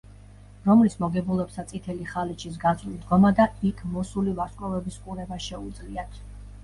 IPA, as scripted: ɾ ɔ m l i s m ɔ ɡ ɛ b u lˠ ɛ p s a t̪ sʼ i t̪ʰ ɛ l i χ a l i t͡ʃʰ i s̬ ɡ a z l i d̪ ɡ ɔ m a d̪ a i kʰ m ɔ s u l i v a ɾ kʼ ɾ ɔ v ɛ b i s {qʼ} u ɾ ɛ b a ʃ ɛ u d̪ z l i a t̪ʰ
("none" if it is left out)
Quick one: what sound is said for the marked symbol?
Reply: kʼ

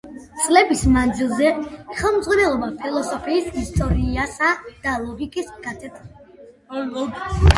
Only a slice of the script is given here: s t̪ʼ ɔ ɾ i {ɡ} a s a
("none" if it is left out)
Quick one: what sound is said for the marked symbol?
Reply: none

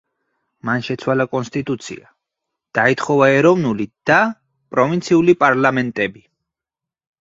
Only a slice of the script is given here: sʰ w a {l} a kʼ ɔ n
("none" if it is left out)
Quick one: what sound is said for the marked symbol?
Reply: l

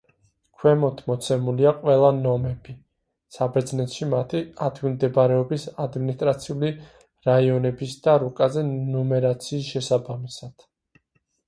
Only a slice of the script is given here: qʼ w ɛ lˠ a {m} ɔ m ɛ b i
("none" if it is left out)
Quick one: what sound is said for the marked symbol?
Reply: n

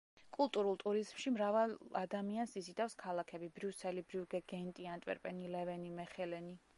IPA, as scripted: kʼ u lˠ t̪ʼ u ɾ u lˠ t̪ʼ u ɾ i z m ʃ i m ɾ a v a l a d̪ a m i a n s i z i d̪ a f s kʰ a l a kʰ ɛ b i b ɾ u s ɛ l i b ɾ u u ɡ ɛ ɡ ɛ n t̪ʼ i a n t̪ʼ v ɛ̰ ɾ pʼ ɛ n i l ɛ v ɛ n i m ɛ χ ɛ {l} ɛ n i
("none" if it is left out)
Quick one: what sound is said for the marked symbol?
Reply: l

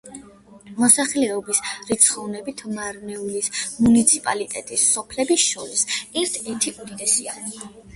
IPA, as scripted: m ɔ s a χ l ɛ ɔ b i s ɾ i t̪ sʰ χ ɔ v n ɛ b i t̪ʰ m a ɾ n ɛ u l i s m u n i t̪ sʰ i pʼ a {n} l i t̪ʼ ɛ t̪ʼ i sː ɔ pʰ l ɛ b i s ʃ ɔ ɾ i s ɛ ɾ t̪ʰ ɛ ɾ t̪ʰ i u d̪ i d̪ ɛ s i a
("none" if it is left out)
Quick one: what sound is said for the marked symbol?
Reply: none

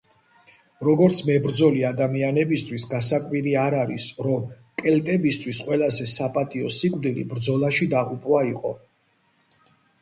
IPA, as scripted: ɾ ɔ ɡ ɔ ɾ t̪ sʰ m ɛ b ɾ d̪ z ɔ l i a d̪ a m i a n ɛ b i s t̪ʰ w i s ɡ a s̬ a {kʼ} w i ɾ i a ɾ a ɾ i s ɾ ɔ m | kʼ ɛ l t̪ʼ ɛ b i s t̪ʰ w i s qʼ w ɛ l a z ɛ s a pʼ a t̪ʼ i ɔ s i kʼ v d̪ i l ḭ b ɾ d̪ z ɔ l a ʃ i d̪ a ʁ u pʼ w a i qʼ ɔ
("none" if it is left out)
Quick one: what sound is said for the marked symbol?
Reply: kʼ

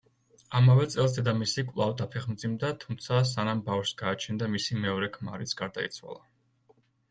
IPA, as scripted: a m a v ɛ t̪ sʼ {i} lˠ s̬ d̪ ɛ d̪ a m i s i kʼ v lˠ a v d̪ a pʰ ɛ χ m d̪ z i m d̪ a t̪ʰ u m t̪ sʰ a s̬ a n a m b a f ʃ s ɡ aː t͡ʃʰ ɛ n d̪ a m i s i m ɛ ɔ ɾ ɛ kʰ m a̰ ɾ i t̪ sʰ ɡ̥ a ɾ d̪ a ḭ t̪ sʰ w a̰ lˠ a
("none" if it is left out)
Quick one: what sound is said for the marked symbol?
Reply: ɛ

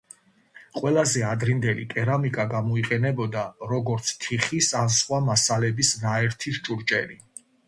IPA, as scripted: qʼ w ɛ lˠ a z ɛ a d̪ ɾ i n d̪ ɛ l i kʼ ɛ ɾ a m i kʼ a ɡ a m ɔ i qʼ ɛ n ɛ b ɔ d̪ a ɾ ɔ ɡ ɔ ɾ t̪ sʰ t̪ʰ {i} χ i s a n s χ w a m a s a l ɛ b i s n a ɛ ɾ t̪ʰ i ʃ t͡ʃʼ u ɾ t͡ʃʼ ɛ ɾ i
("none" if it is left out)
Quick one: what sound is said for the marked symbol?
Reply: i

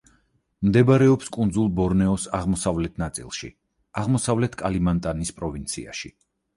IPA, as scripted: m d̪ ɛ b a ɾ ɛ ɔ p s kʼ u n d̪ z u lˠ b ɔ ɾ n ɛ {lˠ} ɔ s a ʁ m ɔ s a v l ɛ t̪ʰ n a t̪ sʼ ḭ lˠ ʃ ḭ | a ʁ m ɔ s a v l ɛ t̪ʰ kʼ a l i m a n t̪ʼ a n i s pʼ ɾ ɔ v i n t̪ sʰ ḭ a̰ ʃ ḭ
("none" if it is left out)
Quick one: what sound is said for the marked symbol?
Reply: none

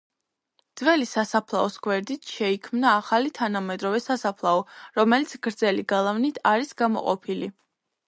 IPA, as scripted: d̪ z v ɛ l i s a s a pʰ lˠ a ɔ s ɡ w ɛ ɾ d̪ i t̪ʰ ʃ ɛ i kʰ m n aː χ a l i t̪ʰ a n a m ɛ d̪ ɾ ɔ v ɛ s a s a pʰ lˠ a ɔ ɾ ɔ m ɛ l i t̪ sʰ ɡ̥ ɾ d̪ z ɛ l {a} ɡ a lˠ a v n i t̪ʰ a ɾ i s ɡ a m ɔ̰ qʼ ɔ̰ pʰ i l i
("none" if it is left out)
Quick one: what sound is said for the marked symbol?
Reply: i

